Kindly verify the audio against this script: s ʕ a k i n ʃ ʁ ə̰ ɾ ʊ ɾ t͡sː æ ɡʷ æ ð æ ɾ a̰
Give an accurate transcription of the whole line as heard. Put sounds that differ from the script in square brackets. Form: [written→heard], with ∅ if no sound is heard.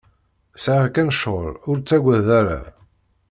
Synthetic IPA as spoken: s ʕ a k [i→æ] n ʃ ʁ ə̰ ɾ ʊ ɾ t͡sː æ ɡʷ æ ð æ ɾ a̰

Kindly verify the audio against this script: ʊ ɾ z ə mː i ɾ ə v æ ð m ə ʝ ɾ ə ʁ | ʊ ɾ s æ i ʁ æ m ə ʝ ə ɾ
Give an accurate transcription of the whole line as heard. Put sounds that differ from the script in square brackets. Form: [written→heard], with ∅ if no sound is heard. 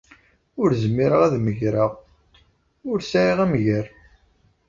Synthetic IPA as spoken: ʊ ɾ z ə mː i ɾ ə [v→ʁ] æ ð m ə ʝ ɾ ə ʁ | ʊ ɾ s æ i ʁ æ m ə ʝ ə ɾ

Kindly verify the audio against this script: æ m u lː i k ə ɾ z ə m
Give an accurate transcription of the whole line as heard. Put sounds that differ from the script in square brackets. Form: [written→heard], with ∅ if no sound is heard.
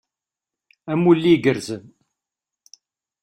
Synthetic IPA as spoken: æ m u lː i [k→ɡ] ə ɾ z ə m

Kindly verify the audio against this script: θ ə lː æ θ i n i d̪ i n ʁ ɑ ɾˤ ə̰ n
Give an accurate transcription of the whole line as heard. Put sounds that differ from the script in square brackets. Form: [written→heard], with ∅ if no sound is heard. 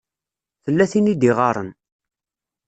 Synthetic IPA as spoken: θ ə lː æ θ i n i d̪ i [n→∅] ʁ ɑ ɾˤ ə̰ n

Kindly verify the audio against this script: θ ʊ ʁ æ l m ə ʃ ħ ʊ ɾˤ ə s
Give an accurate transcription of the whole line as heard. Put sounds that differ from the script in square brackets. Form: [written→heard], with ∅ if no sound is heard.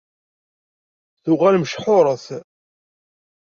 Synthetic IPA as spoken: θ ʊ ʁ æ l m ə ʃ ħ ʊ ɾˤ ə [s→θ]

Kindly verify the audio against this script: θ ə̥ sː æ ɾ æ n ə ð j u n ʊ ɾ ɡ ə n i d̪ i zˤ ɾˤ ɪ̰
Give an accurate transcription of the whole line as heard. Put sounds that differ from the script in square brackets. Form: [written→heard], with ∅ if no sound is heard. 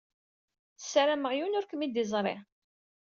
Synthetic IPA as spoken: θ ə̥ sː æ ɾ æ [n→m] ə [ð→ʁ] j u n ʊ ɾ [ɡ→k] ə [n→m] i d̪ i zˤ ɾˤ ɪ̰

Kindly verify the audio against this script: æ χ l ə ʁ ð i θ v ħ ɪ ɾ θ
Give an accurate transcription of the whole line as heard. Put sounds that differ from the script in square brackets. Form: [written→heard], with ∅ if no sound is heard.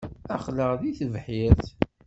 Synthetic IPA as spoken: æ χ l ə ʁ ð i θ v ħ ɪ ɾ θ

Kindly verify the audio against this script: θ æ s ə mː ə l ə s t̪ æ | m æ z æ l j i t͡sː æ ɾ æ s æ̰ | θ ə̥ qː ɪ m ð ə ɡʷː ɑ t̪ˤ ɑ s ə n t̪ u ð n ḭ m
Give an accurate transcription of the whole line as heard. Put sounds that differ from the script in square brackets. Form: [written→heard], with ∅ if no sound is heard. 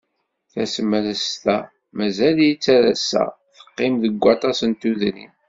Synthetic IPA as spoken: θ æ s ə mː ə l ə s t̪ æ | m æ z æ l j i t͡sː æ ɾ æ s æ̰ | θ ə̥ qː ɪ m ð ə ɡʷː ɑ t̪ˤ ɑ s ə n t̪ u ð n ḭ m

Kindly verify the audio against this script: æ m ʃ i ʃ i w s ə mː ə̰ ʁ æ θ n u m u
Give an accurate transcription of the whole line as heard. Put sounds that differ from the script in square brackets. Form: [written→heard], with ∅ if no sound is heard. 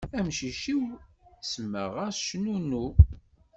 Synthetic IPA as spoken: æ m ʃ i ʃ i w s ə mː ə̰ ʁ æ [θ→ʃ] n u [m→n] u

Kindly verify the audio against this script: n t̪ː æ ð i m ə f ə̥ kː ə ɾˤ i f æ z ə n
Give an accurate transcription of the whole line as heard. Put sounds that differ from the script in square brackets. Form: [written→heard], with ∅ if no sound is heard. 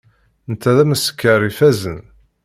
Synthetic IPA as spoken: n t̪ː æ ð [i→æ] m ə [f→s] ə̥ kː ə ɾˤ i f æ z ə n

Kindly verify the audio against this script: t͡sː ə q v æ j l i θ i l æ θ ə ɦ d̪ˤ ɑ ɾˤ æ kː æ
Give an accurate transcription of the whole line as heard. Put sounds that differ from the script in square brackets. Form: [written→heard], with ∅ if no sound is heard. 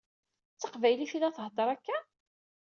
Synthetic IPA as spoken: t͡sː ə q v æ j l i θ i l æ θ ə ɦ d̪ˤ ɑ ɾˤ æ kː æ

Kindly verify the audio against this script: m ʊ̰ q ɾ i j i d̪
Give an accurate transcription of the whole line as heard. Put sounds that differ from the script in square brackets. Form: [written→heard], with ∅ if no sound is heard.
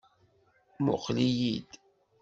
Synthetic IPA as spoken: m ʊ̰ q [ɾ→l] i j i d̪

